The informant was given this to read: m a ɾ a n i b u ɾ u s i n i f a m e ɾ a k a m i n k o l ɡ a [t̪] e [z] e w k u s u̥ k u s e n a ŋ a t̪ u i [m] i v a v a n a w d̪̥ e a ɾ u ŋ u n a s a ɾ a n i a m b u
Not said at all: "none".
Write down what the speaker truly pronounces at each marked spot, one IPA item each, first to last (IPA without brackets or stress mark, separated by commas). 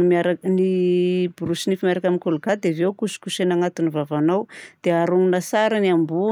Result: d̪, v, n